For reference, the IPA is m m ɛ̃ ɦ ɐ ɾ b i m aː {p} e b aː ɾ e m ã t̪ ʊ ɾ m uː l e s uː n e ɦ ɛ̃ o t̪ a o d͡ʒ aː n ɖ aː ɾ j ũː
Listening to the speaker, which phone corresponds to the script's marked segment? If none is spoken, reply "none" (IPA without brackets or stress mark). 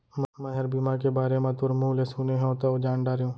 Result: k